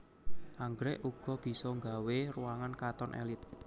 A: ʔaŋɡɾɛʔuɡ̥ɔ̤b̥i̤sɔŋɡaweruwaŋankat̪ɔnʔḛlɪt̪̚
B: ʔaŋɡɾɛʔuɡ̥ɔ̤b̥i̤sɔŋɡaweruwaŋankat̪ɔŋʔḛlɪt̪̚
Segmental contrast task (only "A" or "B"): A